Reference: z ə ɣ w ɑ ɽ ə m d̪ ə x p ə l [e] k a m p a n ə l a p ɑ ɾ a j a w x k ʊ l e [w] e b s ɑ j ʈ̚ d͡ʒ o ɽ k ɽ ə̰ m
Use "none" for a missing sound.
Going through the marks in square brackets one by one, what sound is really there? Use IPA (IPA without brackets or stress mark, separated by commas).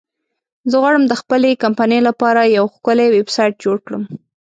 e, w